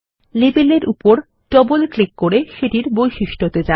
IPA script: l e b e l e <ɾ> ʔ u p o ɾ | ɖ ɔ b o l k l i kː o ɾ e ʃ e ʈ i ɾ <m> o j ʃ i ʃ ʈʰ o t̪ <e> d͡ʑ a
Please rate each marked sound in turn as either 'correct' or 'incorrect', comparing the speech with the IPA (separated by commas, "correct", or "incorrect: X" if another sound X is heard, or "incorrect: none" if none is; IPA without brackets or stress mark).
correct, incorrect: b, correct